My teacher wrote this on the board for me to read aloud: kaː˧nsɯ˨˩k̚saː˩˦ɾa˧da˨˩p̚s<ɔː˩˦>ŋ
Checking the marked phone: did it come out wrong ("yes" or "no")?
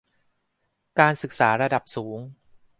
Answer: yes